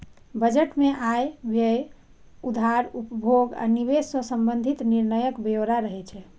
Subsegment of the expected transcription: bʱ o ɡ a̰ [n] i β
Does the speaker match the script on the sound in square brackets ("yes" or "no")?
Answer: yes